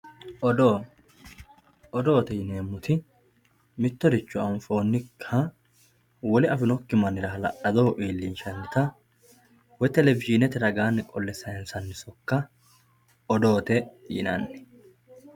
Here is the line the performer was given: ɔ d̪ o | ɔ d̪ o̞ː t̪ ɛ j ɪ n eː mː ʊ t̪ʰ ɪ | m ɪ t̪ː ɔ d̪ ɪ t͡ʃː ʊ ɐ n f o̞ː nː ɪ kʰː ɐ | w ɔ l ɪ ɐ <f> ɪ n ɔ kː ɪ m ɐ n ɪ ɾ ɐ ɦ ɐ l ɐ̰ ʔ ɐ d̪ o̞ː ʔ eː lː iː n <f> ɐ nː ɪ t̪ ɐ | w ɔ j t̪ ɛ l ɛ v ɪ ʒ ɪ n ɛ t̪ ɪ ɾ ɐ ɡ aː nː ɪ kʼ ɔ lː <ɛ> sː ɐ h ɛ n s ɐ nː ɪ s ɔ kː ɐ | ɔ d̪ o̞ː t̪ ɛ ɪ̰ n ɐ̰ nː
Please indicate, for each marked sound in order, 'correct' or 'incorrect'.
correct, incorrect: ʃ, correct

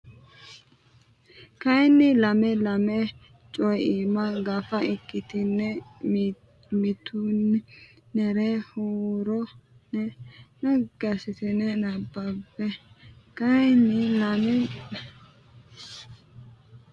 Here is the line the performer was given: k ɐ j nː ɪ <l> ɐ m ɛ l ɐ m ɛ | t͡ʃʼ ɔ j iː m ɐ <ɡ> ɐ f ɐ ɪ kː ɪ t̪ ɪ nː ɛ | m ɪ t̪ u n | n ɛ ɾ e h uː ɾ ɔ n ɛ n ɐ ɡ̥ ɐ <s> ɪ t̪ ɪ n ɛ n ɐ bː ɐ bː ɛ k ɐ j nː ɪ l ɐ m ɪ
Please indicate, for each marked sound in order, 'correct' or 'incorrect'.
correct, correct, correct

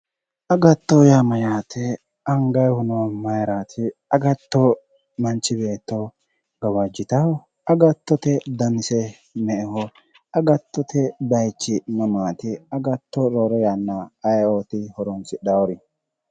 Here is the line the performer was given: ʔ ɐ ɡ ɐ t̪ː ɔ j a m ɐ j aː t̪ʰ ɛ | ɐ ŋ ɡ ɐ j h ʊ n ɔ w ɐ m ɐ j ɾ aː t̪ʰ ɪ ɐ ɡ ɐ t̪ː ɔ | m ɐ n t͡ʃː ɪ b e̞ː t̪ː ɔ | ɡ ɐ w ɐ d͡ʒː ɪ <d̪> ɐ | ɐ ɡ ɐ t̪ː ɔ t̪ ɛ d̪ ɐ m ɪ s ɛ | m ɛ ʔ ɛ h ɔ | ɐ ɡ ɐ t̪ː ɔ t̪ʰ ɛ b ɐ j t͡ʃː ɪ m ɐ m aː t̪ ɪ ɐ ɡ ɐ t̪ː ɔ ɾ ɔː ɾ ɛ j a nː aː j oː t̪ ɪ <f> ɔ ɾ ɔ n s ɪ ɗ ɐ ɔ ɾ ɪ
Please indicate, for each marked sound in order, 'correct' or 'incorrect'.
incorrect: t̪, incorrect: h

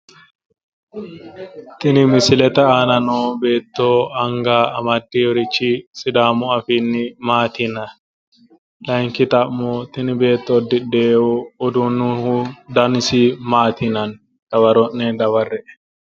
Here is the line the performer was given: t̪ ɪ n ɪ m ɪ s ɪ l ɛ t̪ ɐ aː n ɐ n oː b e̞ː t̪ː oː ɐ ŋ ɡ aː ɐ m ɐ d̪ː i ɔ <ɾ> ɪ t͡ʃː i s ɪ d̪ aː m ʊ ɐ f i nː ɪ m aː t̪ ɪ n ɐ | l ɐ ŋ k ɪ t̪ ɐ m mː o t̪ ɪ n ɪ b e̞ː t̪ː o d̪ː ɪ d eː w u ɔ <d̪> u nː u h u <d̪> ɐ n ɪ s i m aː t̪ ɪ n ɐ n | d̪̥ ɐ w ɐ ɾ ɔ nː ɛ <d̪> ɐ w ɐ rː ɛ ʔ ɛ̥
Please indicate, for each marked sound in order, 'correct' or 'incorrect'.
correct, correct, correct, correct

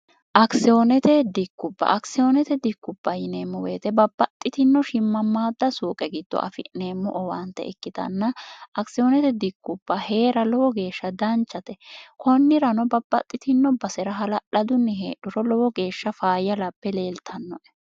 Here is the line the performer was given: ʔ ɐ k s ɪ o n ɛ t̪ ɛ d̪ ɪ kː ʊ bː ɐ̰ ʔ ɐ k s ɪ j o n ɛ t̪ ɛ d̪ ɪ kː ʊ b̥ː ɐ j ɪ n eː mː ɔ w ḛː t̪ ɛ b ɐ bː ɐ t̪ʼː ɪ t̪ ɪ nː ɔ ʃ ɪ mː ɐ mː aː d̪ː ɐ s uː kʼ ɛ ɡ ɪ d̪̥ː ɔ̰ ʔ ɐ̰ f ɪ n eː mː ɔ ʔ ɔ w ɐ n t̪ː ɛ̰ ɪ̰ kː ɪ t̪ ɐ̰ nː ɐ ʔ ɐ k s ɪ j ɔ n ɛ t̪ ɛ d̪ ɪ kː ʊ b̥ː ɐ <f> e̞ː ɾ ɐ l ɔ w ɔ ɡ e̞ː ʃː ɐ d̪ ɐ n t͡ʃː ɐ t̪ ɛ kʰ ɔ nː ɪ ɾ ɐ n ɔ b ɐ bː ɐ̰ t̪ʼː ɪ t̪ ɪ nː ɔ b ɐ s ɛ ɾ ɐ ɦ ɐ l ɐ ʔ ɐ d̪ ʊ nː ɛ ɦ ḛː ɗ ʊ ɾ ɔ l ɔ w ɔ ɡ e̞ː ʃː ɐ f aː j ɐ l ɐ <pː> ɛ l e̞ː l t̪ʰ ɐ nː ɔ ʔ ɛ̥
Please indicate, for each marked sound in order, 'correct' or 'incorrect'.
incorrect: h, correct

